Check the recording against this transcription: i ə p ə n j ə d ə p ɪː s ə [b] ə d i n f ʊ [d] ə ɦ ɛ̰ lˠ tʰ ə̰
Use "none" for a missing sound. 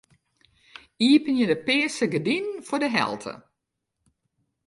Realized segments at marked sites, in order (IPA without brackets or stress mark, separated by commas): ɡ, d